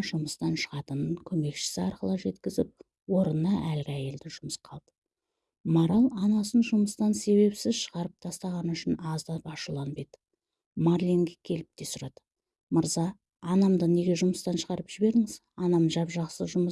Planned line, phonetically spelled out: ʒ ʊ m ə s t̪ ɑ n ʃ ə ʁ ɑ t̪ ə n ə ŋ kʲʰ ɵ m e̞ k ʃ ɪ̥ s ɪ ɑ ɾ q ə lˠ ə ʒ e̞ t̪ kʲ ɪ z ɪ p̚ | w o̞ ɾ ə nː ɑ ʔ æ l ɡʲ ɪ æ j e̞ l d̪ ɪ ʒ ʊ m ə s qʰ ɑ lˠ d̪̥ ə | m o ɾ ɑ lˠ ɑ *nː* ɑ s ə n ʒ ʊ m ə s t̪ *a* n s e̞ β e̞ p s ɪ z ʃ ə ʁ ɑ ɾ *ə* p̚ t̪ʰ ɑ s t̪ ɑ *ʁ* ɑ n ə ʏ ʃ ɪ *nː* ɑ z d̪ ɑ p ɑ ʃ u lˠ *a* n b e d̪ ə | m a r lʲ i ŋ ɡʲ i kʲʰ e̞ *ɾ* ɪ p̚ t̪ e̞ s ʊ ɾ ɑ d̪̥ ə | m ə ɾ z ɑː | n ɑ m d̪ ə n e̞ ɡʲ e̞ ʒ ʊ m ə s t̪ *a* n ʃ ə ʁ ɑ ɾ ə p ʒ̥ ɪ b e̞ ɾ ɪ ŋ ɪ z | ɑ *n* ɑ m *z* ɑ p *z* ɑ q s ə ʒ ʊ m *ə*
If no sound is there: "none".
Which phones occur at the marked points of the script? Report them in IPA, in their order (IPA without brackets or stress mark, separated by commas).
n, ɑ, ə, ʁ, n, ɑ, l, ɑ, n, ʒ, ʒ, ə